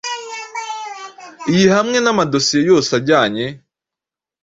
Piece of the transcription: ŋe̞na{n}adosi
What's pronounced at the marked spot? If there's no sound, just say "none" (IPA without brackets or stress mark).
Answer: m